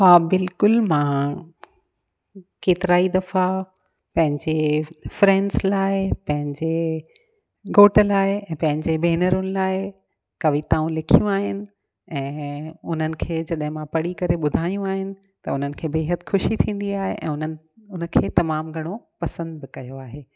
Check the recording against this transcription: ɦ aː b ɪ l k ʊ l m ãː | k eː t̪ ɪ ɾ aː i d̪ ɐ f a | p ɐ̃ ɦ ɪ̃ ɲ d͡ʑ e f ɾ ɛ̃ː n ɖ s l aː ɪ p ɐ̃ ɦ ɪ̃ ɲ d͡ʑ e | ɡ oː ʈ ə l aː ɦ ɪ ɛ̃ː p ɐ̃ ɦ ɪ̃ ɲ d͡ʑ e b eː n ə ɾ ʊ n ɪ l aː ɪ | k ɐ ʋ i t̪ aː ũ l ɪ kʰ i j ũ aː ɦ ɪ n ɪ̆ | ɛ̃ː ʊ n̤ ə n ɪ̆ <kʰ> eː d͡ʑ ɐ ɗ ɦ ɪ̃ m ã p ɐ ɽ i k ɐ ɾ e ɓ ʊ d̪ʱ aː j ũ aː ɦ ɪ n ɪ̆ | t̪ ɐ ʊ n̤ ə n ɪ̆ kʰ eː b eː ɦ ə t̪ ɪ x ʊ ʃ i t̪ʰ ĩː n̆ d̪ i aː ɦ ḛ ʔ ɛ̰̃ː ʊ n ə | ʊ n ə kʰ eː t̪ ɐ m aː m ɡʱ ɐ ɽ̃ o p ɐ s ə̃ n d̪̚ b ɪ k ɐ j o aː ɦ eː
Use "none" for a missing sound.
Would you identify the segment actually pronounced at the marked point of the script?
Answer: kʰ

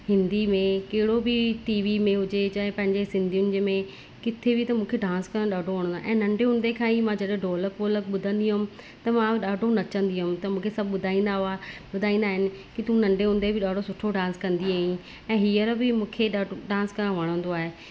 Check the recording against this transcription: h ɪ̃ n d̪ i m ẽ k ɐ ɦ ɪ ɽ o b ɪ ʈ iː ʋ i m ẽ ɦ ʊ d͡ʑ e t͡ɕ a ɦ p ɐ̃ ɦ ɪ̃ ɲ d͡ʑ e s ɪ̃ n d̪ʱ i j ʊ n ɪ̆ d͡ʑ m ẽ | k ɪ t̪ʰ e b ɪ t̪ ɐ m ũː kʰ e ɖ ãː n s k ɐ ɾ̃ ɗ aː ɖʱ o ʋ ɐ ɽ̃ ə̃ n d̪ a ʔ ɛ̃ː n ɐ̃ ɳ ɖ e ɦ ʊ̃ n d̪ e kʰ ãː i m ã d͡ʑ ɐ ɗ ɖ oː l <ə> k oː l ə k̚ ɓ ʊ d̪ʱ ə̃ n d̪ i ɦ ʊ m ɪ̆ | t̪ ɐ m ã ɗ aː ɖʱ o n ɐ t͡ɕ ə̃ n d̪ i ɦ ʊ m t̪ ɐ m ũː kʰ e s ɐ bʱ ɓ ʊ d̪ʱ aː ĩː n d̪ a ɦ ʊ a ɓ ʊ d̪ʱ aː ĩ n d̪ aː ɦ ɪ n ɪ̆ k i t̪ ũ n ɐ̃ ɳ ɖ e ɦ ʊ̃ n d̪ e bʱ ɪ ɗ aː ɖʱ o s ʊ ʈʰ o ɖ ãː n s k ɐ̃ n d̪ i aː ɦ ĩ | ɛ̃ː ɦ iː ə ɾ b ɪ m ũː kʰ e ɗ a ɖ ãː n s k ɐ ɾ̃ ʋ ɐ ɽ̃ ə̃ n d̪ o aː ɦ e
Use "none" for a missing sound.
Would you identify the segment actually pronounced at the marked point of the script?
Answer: ə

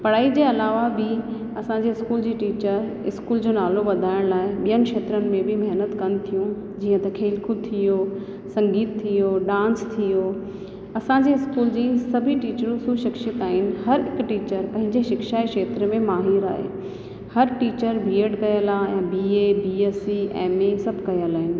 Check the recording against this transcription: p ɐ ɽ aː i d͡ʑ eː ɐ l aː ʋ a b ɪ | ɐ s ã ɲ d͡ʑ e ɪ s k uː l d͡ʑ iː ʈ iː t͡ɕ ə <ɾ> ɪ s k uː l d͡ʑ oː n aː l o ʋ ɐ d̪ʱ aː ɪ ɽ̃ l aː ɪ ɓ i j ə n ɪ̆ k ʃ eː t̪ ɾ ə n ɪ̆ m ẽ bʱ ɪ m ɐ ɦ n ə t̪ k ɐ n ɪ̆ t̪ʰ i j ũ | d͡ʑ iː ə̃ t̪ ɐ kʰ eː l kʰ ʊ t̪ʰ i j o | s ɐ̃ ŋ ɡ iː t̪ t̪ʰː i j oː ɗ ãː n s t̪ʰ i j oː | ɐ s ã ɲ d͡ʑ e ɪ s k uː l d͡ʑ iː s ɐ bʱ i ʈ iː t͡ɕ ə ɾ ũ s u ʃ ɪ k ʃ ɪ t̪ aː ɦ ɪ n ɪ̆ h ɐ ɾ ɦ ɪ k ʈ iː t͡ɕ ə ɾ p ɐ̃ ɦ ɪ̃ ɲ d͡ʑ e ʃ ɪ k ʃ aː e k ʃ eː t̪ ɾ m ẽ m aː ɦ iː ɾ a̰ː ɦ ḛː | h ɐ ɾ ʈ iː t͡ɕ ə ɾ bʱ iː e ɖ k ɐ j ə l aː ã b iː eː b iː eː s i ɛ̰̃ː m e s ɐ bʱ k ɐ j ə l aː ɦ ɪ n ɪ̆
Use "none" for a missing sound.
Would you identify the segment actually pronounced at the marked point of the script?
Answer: ɾ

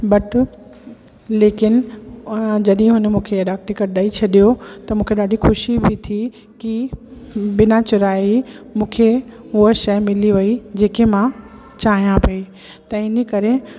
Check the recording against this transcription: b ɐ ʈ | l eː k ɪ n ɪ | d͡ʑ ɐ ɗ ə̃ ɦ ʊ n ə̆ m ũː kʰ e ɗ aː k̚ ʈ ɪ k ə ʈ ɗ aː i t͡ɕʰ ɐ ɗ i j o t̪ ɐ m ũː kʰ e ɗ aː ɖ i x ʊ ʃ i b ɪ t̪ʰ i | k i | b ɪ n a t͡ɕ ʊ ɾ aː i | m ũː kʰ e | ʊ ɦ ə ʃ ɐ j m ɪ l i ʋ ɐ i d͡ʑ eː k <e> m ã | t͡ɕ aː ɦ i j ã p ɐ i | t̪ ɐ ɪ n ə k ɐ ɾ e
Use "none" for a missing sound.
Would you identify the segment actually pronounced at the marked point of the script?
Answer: e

